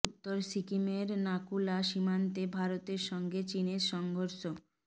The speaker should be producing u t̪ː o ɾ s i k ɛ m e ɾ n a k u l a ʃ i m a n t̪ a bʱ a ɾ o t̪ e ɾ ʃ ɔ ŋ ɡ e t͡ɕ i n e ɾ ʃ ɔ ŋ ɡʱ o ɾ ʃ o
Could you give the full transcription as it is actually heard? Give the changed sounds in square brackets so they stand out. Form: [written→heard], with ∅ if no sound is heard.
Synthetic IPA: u t̪ː o ɾ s i k [ɛ→i] m e ɾ n a k u l a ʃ i m a n t̪ [a→e] bʱ a ɾ o t̪ e ɾ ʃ ɔ ŋ ɡ e t͡ɕ i n e ɾ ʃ ɔ ŋ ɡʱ o ɾ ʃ o